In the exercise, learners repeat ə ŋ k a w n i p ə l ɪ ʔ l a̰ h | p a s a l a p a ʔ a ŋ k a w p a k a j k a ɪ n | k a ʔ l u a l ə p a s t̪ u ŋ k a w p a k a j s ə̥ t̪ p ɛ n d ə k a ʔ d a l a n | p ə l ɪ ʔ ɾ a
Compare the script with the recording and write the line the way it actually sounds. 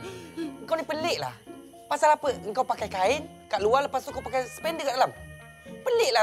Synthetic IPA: ə ŋ k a w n i p ə l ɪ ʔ l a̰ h | p a s a l a p ə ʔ ə ŋ k a w p a k a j k a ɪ n | k a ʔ l u a l ə p a s t̪ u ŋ k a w p a k a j s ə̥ p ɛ n d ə k a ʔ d a l a m | p ə l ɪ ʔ l a